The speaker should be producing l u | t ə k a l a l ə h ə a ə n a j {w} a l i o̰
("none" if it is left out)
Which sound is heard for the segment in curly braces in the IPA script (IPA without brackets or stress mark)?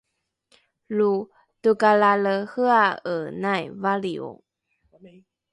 v